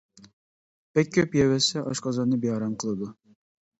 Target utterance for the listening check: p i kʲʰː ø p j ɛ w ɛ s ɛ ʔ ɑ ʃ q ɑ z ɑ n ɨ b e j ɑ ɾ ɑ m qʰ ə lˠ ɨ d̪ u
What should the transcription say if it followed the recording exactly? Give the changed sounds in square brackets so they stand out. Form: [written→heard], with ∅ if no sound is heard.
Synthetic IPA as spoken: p [i→ɛ] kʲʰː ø p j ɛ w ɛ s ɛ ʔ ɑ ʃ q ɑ z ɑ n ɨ b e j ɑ ɾ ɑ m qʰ ə lˠ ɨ d̪ u